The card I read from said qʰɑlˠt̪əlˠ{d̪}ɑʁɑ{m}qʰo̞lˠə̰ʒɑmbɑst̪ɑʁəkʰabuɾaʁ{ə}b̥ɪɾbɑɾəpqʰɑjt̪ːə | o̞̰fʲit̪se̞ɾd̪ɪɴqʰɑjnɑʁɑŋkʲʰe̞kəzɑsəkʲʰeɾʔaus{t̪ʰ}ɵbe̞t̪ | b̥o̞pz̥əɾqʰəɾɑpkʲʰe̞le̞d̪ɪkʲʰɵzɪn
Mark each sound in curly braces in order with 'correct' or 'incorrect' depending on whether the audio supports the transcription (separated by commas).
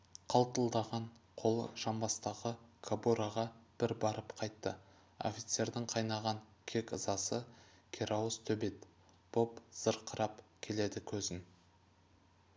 correct, incorrect, incorrect, correct